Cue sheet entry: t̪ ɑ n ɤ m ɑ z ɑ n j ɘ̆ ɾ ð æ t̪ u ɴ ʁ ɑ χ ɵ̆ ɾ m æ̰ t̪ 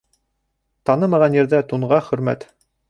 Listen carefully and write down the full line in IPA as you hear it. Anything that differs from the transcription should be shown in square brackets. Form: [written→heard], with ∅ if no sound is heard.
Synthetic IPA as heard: t̪ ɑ n ɤ m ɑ [z→ʁ] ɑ n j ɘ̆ ɾ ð æ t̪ u ɴ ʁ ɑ χ ɵ̆ ɾ m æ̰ t̪